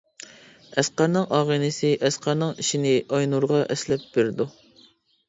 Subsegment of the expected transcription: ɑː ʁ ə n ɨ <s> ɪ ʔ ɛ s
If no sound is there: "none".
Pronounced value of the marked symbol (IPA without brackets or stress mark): s